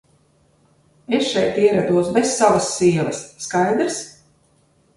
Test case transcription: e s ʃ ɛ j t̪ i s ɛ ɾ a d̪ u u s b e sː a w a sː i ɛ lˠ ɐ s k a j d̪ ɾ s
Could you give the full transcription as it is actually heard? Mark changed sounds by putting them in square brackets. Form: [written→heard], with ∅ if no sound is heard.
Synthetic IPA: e s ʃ ɛ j t̪ i [s→∅] ɛ ɾ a d̪ u [u→ɔ] s b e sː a [w→v] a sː i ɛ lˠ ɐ [s→sː] k a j d̪ ɾ s

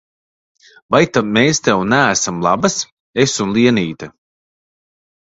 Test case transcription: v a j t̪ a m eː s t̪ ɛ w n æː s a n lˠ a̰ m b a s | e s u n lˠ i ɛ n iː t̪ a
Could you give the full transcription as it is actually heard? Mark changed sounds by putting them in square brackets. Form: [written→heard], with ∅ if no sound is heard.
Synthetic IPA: v a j t̪ a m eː s t̪ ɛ w n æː s a [n→m] lˠ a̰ [m→∅] b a s | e s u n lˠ i ɛ n iː t̪ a

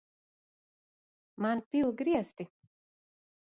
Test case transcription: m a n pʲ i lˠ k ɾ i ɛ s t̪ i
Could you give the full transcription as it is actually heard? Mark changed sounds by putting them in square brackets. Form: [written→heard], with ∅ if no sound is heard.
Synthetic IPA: m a n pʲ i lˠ [k→ɡ] ɾ i ɛ s t̪ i

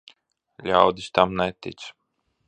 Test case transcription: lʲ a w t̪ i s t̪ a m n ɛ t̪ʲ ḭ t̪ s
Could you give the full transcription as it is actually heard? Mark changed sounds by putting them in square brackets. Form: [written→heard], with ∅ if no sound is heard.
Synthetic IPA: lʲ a w [t̪→d̪] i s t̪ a m n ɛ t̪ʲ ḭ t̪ s

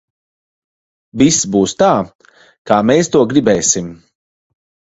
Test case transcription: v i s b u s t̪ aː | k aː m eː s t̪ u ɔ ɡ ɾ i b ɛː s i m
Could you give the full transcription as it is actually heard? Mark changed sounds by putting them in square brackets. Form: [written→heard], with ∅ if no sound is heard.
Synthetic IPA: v i s b [u→uː] s t̪ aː | k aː m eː s t̪ u ɔ ɡ ɾ i b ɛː s i m

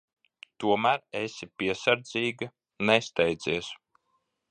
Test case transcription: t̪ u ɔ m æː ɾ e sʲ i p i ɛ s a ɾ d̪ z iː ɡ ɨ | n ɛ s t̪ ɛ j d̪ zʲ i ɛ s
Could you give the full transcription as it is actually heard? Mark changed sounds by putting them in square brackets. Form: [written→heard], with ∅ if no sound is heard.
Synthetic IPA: t̪ u ɔ m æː ɾ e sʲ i p i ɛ s a ɾ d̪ z iː ɡ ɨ | n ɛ s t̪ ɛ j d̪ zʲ i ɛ s

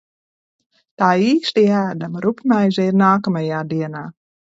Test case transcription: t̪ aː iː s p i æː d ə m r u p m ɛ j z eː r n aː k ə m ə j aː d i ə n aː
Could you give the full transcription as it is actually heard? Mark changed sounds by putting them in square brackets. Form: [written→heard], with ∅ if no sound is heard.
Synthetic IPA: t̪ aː iː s [p→t] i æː d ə m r u p m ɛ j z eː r n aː k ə m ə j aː d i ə n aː

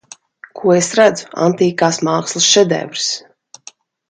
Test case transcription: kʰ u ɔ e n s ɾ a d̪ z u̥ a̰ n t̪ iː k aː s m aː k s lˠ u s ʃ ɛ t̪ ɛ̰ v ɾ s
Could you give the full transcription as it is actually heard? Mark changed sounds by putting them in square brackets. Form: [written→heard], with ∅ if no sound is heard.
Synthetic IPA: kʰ u ɔ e [n→∅] s ɾ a d̪ z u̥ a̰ n t̪ iː k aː s m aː k s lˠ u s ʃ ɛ [t̪→d̪] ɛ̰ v ɾ s

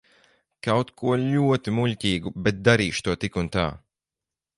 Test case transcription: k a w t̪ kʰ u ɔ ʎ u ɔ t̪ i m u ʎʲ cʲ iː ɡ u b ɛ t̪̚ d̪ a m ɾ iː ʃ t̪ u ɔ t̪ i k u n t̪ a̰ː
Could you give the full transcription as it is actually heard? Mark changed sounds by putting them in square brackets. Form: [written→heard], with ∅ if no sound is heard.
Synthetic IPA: k a w t̪ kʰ u ɔ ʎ u ɔ t̪ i m u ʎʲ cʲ iː ɡ u b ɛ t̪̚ d̪ a [m→∅] ɾ iː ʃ t̪ u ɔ t̪ i k u n t̪ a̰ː

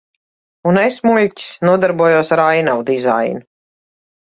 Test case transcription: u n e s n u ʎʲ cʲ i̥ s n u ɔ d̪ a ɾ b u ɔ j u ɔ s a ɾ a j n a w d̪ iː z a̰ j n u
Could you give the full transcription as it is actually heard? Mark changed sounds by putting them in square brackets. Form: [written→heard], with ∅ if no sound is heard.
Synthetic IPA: u n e s [n→m] u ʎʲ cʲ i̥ s n u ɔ d̪ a ɾ b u ɔ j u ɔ s a ɾ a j n a w d̪ [iː→i] z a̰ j n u

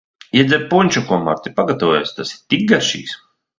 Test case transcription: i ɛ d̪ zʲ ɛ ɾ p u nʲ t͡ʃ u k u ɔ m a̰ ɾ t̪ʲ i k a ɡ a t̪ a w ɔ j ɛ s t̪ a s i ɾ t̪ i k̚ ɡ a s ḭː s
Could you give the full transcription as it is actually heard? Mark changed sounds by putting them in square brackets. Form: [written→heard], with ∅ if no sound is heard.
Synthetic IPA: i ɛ d̪ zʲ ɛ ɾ p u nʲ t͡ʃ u k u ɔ m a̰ ɾ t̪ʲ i [k→p] a ɡ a t̪ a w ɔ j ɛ s t̪ a s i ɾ t̪ i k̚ ɡ a [s→ʃ] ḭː s

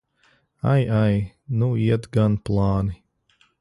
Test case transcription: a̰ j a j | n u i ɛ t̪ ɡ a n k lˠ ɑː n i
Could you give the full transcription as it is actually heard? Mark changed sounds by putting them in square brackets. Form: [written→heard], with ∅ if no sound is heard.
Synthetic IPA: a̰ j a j | n u i ɛ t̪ ɡ a n [k→p] lˠ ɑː n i

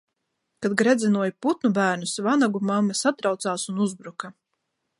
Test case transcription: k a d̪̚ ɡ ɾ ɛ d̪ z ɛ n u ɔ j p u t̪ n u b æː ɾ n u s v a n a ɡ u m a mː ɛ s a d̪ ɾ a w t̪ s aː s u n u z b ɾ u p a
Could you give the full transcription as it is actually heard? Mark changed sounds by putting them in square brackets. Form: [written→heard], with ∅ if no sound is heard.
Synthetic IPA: k a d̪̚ ɡ ɾ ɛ d̪ z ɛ n u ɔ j p u t̪ n u b æː ɾ n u s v a n a ɡ u m a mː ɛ s a [d̪→t̪] ɾ a w t̪ s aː s u n u z b ɾ u [p→k] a

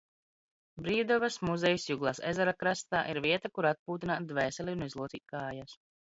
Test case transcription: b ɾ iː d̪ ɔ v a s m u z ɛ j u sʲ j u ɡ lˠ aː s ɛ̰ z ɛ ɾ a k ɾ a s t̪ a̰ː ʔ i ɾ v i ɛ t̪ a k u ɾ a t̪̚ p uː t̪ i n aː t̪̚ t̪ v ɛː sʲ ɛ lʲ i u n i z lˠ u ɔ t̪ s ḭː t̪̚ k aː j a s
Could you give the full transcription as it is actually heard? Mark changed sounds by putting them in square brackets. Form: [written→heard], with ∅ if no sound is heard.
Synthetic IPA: b ɾ iː d̪ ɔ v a s m u z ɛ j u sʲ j u ɡ lˠ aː s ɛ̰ z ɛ ɾ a k ɾ a s t̪ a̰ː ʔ i ɾ v i ɛ t̪ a k u ɾ a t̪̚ p uː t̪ i n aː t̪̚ [t̪→d̪] v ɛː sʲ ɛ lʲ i u n i z lˠ u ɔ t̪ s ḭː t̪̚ k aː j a s

